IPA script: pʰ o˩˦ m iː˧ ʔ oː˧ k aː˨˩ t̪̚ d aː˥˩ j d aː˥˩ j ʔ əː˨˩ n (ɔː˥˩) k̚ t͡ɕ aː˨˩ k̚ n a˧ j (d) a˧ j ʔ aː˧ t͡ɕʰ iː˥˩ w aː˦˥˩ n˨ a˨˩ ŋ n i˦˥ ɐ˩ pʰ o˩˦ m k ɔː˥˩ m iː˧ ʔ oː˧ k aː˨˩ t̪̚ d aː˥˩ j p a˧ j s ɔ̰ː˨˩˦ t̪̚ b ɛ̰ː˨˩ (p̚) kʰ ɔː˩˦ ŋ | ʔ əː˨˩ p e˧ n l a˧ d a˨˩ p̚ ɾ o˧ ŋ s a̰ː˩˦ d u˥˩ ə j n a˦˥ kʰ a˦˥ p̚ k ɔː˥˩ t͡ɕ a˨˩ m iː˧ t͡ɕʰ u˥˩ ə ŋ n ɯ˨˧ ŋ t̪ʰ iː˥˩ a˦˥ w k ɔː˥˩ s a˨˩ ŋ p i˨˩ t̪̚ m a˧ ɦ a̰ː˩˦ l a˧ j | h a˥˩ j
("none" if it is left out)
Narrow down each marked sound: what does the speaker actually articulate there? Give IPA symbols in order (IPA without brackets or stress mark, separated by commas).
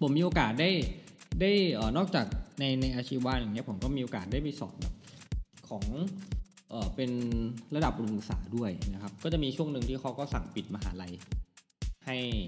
ɔː˥˩, n, p̚